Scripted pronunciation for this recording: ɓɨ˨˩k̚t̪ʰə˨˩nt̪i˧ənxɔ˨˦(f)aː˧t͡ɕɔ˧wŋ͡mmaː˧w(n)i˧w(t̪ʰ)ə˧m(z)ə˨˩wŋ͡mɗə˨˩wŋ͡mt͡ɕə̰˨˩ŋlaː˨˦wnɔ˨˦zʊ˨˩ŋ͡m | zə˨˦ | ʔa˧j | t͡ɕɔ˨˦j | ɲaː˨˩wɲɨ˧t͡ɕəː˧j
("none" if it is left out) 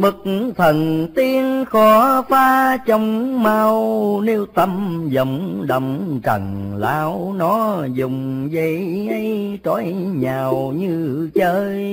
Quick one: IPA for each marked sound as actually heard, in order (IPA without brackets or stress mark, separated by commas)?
f, n, t̪, z